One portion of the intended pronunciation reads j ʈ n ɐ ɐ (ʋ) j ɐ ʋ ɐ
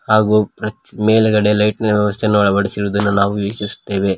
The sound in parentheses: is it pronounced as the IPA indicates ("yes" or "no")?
yes